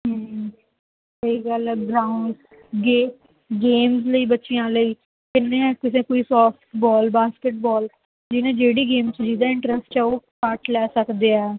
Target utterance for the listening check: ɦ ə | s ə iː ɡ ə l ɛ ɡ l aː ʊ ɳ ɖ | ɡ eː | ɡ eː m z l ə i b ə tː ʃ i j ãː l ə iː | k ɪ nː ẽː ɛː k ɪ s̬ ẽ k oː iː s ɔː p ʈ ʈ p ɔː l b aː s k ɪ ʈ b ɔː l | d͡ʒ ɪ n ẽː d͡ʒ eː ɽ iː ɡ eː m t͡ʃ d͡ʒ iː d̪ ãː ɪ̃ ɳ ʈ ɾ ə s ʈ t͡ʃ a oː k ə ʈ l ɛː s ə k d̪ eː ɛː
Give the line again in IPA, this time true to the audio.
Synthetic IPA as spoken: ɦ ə | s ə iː ɡ ə l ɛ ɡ ɾ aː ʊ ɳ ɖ | ɡ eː | ɡ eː m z l ə iː b ə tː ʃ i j ãː l ə iː | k ɪ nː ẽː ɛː k ɪ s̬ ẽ k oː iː s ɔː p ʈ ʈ b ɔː l b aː s k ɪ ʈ b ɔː l | d͡ʒ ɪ n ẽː d͡ʒ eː ɽ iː ɡ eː m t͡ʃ d͡ʒ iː d̪ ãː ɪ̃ ɳ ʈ ɾ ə s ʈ t͡ʃ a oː k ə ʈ l ɛː s ə k d̪ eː ɛː

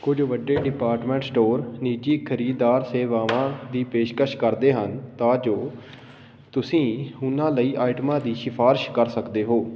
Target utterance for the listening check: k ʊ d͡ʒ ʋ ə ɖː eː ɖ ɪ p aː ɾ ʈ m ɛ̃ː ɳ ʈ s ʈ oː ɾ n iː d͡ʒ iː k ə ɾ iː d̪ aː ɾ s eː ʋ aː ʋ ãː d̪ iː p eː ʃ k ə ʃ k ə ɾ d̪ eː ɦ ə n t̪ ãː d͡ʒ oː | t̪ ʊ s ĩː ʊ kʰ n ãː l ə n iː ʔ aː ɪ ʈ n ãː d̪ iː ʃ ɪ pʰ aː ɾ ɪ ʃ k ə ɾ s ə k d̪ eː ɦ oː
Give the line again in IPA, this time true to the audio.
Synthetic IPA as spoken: k ʊ d͡ʒ ʋ ə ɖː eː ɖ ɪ p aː ɾ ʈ m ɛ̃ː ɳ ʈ s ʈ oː ɾ n iː d͡ʒ iː kʰ ə ɾ iː d̪ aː ɾ s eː ʋ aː ʋ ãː d̪ iː p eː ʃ k ə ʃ k ə ɾ d̪ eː ɦ ə n t̪ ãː d͡ʒ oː | t̪ ʊ s ĩː ʊ n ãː l ə iː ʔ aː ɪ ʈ m ãː d̪ iː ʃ ɪ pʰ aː ɾ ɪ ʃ k ə ɾ s ə k d̪ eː ɦ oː

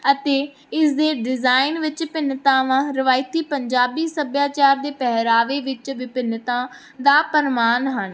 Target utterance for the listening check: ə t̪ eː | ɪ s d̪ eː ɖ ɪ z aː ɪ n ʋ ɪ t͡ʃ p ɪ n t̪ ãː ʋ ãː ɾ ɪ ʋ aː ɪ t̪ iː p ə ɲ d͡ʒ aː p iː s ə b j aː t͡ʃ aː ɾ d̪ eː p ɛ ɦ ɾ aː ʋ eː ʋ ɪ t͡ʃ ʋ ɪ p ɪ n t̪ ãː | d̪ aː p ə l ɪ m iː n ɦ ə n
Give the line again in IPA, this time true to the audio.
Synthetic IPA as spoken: ə t̪ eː | ɪ s d̪ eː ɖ ɪ z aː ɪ n ʋ ɪ t͡ʃ p ɪ n t̪ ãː ʋ ãː ɾ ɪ ʋ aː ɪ t̪ iː p ə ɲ d͡ʒ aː b iː s ə b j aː t͡ʃ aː ɾ d̪ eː p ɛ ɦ ɾ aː ʋ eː ʋ ɪ t͡ʃ ʋ ɪ p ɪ n t̪ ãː | d̪ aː p ə ɾ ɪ m aː n ɦ ə n

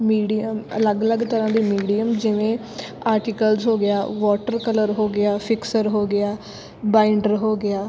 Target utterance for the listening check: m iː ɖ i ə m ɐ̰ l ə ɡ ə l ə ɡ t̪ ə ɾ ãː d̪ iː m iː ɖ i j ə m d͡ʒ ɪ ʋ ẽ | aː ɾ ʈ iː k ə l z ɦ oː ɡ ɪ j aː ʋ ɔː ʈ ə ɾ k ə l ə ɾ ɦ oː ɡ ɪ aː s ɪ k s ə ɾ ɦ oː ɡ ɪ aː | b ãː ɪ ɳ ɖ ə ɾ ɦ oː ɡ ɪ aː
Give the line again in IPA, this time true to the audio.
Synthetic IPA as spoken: m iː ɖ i ə m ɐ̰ l ə ɡ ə l ə ɡ t̪ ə ɾ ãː d̪ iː m iː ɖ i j ə m d͡ʒ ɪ ʋ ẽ | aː ɾ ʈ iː k ə l z ɦ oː ɡ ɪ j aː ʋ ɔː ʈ ə ɾ k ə l ə ɾ ɦ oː ɡ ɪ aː f ɪ k s ə ɾ ɦ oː ɡ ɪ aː | b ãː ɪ ɳ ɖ ə ɾ ɦ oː ɡ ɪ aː

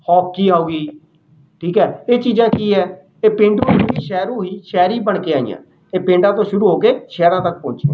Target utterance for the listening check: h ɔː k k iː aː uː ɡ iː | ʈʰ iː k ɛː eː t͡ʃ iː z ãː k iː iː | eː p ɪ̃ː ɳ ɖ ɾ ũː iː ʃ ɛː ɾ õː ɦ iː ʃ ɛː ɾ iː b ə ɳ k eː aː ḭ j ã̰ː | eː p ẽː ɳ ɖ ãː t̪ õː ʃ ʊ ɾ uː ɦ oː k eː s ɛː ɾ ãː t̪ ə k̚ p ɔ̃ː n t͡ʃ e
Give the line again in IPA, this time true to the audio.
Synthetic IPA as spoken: h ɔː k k iː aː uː ɡ iː | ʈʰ iː k ɛː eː t͡ʃ iː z ãː k iː ɛː | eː p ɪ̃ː ɳ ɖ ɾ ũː iː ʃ ɛː ɾ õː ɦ iː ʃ ɛː ɾ iː b ə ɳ k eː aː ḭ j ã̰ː | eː p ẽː ɳ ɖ ãː t̪ õː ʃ ʊ ɾ uː ɦ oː k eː ʃ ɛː ɾ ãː t̪ ə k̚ p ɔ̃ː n t͡ʃ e

